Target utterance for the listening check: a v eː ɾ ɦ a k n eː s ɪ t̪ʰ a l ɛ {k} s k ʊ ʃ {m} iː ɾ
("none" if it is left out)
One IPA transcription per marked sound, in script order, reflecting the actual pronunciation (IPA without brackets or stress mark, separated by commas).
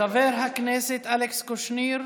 k, n